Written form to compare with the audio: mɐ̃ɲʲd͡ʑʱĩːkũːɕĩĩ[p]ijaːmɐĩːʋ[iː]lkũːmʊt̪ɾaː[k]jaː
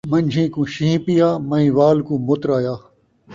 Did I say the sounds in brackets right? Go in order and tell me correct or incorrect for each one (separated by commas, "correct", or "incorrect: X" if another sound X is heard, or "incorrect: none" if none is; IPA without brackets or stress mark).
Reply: correct, incorrect: aː, incorrect: none